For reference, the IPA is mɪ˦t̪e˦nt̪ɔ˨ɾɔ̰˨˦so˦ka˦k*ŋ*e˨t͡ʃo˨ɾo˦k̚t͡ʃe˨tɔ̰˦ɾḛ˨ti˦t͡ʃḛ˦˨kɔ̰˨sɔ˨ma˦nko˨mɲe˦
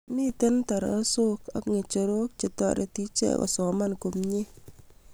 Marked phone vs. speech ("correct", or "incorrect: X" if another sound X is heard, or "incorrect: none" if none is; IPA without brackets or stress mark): correct